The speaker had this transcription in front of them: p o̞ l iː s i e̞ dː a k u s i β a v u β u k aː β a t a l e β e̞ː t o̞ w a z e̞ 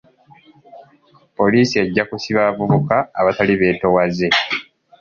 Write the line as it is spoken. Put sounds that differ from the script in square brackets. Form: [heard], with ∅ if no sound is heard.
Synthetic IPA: p o̞ l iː s i e̞ [ɟː] a k u s i β a v u β u k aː β a t a l [i] β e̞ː t o̞ w a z e̞